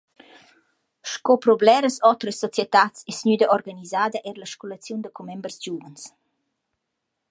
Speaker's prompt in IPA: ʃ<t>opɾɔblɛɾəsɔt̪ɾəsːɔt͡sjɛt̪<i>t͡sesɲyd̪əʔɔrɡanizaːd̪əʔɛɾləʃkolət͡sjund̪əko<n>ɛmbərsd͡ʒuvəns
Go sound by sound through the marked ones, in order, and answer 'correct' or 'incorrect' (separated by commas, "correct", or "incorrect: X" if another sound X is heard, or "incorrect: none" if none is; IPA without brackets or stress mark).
incorrect: k, incorrect: a, incorrect: m